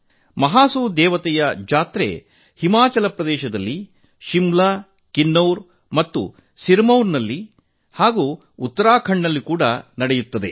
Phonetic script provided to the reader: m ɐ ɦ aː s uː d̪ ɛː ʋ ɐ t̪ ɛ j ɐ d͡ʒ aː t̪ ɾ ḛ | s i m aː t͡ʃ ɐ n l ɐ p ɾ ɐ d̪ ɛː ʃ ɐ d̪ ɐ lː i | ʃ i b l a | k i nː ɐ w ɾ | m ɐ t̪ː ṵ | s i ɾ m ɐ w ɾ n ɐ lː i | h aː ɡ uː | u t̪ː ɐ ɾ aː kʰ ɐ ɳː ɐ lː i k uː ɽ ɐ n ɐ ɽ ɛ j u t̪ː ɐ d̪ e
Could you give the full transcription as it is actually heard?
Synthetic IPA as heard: m ɐ ɦ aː s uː d̪ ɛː ʋ ɐ t̪ ɛ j ɐ d͡ʒ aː t̪ ɾ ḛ | h i m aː t͡ʃ ɐ l ɐ p ɾ ɐ d̪ ɛː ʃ ɐ d̪ ɐ lː i | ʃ i m l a | k i nː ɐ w ɾ | m ɐ t̪ː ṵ | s i ɾ m ɐ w ɾ n ɐ lː i | h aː ɡ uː | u t̪ː ɐ ɾ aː kʰ ɐ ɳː ɐ lː i k uː ɽ ɐ n ɐ ɽ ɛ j u t̪ː ɐ d̪ e